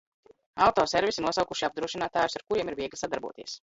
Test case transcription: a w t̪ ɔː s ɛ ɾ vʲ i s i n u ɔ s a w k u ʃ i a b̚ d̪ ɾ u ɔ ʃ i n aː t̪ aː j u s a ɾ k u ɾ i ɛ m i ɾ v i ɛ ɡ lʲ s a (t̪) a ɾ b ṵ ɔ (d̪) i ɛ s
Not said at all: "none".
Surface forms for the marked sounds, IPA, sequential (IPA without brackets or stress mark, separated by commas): d̪, t̪